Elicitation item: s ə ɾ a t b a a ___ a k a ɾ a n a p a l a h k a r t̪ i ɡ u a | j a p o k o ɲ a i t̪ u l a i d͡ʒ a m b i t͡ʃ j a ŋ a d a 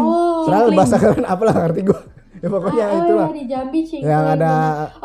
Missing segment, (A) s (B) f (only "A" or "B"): A